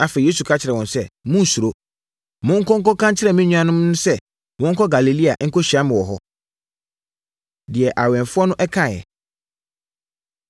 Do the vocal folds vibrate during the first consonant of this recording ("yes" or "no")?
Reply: no